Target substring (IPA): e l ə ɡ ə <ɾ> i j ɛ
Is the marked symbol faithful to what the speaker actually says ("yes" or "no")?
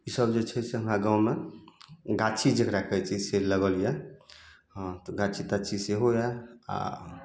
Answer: no